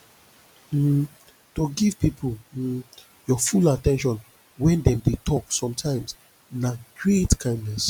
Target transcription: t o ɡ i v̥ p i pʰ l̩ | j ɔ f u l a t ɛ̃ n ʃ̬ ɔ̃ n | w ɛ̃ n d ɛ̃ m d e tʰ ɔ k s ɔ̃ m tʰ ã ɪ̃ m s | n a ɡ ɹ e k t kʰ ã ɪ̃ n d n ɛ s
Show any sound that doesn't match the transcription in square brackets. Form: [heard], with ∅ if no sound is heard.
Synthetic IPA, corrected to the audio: t o ɡ i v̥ p i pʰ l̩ | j ɔ f u l a t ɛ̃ n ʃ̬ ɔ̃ n | w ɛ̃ n d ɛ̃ m d e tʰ ɔ k s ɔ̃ m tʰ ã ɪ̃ m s | n a ɡ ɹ e [∅] t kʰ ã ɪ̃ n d n ɛ s